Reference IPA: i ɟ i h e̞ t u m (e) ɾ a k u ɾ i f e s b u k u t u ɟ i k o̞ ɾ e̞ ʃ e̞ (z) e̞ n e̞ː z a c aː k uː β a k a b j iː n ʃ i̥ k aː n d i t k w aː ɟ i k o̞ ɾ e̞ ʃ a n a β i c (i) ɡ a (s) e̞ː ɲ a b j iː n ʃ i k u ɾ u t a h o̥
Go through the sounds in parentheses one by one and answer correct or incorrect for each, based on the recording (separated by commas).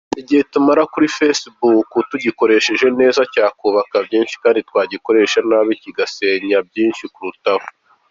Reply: incorrect, incorrect, correct, correct